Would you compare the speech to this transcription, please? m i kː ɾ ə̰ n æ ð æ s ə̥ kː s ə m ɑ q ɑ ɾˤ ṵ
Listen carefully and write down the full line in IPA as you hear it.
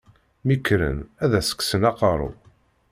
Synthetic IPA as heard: m i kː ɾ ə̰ n æ ð æ s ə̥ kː s ə n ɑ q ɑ ɾˤ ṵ